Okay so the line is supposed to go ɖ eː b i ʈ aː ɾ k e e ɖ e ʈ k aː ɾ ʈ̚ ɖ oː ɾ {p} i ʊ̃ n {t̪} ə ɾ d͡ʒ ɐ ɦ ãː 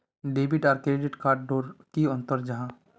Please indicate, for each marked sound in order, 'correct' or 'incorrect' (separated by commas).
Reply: incorrect, correct